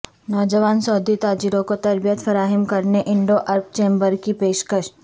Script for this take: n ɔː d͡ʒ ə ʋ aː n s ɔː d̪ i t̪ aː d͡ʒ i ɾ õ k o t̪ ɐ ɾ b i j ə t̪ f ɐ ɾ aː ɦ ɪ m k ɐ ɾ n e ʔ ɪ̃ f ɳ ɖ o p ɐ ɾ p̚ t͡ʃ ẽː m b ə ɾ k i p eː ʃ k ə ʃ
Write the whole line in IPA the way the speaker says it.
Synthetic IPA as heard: n ɔː d͡ʒ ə ʋ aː n s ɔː d̪ i t̪ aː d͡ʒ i ɾ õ k o t̪ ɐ ɾ b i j ə t̪ f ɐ ɾ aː ɦ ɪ m k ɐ ɾ n e ʔ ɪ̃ ɳ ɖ o ʔ ɐ ɾ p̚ t͡ʃ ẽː m b ə ɾ k i p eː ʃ k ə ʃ